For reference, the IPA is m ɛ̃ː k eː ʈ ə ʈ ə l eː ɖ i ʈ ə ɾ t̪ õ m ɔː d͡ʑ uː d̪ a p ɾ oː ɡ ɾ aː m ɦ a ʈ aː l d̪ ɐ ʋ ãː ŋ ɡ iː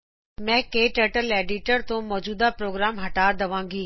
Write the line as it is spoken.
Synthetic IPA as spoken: m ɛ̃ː k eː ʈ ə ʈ ə l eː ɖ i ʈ ə ɾ t̪ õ m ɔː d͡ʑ uː d̪ a p ɾ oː ɡ ɾ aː m ɦ ɐ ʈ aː ɾ d̪ ɐ ʋ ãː ŋ ɡ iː